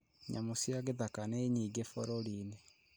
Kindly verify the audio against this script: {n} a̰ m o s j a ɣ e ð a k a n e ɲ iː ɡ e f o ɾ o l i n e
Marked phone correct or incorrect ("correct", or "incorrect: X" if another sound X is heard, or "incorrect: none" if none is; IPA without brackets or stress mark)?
incorrect: ɲ